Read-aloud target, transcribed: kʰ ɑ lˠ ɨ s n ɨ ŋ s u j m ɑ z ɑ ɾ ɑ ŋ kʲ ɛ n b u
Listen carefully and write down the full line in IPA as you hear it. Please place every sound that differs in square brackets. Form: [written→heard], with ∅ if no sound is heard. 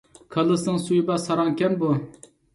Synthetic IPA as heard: kʰ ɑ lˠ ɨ s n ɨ ŋ s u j [m→b] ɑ [z→s] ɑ ɾ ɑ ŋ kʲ ɛ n b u

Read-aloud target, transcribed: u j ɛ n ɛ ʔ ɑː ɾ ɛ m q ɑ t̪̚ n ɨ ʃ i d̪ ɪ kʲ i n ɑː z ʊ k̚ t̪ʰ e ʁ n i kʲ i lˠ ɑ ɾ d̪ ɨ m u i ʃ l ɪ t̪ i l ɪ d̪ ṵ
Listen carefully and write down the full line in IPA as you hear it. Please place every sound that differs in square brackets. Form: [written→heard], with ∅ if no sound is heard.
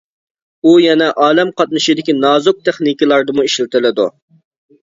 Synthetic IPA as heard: u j ɛ n ɛ ʔ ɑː [ɾ→l] ɛ m q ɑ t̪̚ n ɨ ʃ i d̪ ɪ kʲ i n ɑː z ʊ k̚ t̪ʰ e [ʁ→χ] n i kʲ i lˠ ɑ ɾ d̪ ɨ m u i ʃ l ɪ t̪ [i→ɪ] l ɪ d̪ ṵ

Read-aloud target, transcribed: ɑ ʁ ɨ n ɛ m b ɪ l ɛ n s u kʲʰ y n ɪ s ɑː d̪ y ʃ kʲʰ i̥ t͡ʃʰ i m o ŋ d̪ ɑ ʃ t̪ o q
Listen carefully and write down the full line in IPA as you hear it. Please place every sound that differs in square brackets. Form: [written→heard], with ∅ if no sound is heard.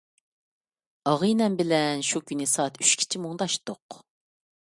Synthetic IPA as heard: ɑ ʁ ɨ n ɛ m b ɪ l ɛ n [s→ʃ] u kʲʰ y n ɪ s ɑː [d̪→t̪] y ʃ kʲʰ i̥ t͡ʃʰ i m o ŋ d̪ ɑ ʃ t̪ o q

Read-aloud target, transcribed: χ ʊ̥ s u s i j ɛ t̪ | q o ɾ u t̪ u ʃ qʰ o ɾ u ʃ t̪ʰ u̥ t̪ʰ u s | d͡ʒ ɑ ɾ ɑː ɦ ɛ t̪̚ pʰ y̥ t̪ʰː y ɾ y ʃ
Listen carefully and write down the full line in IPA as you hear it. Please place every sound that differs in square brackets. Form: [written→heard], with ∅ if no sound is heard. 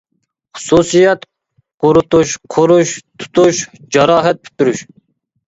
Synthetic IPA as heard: χ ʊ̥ s u s i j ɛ t̪ | q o ɾ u t̪ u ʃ qʰ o ɾ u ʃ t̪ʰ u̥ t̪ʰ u [s→ʃ] | d͡ʒ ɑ ɾ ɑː ɦ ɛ t̪̚ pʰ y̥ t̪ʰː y ɾ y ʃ

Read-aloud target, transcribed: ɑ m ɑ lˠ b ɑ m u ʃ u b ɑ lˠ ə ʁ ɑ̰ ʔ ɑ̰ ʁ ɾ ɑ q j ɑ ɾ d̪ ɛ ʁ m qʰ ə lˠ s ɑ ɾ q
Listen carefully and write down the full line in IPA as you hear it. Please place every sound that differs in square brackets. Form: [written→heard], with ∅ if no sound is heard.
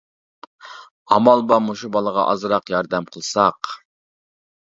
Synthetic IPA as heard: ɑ m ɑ lˠ b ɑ m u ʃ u b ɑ lˠ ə ʁ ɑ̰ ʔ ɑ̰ [ʁ→z] ɾ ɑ q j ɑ ɾ d̪ ɛ [ʁ→∅] m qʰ ə lˠ s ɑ [ɾ→∅] q

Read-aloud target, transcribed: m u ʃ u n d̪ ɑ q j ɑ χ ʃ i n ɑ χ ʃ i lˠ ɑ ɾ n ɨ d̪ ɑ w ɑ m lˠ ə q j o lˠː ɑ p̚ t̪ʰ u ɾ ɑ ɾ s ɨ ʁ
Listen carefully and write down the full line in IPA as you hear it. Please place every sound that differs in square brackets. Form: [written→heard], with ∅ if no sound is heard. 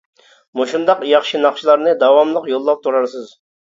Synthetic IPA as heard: m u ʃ u n d̪ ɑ q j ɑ χ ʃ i n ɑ χ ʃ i lˠ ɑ ɾ n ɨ d̪ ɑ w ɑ m lˠ ə q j o lˠː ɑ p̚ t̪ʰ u ɾ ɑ ɾ s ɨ [ʁ→z]

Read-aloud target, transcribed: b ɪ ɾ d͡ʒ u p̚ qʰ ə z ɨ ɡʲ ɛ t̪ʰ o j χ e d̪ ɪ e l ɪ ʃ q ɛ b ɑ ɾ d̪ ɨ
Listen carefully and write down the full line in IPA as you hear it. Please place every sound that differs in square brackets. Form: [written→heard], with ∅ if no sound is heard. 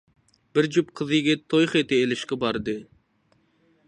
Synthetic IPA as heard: b ɪ ɾ d͡ʒ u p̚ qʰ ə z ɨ ɡʲ ɛ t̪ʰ o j χ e [d̪→t̪] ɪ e l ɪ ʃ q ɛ b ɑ ɾ d̪ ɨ

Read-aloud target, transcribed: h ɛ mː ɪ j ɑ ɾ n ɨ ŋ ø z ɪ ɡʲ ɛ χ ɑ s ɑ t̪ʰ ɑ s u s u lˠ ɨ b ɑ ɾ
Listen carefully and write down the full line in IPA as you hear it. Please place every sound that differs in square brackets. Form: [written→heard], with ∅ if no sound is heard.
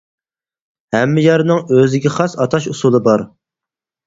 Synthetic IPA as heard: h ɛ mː ɪ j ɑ ɾ n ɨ ŋ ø z ɪ ɡʲ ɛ χ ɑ s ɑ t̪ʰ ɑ [s→ʃ] u s u lˠ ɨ b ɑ ɾ

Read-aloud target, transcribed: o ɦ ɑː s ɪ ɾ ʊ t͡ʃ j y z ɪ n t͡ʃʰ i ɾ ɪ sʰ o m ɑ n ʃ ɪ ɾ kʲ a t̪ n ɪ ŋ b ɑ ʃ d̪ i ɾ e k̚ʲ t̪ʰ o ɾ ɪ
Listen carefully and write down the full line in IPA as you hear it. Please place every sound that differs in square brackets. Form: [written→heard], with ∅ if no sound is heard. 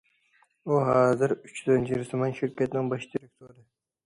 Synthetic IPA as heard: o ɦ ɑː [s→z] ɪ ɾ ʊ t͡ʃ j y z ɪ n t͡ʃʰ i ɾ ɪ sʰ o m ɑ n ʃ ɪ ɾ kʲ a t̪ n ɪ ŋ b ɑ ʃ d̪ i ɾ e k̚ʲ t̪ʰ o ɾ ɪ

